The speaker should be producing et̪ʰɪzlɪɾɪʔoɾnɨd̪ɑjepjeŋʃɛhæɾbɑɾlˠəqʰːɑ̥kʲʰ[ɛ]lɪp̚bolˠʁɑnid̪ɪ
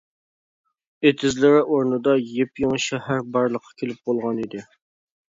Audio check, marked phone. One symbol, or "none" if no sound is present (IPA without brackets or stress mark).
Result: e